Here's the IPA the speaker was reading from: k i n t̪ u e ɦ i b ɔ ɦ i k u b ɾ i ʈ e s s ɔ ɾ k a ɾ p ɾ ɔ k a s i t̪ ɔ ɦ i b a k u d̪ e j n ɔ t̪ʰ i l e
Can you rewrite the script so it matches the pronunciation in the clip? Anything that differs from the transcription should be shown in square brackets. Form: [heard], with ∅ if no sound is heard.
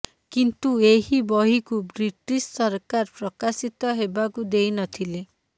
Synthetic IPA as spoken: k i n t̪ u e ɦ i b ɔ ɦ i k u b ɾ i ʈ [i] s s ɔ ɾ k a ɾ p ɾ ɔ k a s i t̪ ɔ ɦ [e] b a k u d̪ e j n ɔ t̪ʰ i l e